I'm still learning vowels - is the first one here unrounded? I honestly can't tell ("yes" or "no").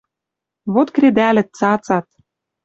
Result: no